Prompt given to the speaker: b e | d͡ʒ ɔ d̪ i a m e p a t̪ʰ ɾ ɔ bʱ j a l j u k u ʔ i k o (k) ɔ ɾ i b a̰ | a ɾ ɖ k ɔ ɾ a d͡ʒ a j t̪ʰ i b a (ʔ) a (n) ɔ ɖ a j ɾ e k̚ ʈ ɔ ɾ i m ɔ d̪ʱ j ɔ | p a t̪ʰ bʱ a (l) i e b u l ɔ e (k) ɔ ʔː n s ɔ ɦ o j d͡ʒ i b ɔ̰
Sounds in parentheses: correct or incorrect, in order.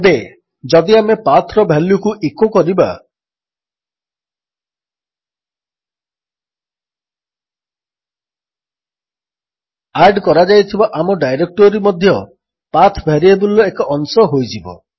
correct, correct, incorrect, incorrect, correct

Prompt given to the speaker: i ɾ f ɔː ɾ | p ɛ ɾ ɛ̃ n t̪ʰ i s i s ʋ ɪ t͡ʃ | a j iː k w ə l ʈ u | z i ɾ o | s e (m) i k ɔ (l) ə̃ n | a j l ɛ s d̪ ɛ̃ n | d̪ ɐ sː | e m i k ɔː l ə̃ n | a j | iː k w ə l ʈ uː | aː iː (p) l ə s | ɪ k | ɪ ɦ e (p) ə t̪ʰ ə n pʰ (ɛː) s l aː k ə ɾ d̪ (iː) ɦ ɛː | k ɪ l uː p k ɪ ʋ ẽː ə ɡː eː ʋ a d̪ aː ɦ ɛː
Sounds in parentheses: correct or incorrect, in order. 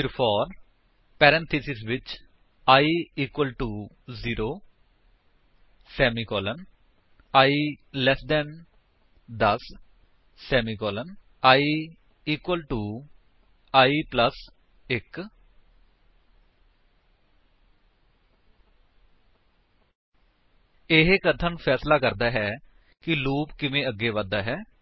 correct, correct, correct, incorrect, correct, incorrect

